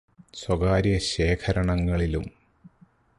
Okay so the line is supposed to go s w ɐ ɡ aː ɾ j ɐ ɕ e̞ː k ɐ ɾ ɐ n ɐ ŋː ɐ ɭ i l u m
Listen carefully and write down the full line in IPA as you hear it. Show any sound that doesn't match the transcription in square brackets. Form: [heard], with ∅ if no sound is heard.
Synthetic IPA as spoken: s w ɐ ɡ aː ɾ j ɐ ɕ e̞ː [kʰ] ɐ ɾ ɐ [ɳ] ɐ ŋː ɐ ɭ i l u m